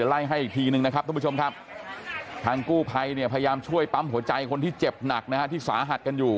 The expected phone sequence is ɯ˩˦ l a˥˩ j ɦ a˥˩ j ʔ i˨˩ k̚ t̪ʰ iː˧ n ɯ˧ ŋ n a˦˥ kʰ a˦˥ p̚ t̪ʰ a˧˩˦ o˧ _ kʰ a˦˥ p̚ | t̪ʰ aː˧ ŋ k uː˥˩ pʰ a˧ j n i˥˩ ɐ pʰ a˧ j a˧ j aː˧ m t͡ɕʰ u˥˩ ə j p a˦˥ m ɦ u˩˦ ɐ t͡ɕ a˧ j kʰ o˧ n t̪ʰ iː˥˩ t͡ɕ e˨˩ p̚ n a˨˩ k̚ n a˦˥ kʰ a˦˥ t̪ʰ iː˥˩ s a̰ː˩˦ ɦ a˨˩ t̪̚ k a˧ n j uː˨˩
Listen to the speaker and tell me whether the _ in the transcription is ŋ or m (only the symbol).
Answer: m